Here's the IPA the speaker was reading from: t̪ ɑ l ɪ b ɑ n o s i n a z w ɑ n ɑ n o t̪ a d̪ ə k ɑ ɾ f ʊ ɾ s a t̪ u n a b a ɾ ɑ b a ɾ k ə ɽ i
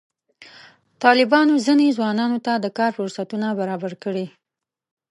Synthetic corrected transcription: t̪ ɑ l ɪ b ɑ n o z i n e z w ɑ n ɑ n o t̪ a d̪ ə k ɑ ɾ f ʊ ɾ s a t̪ u n a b a ɾ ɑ b a ɾ k ə ɽ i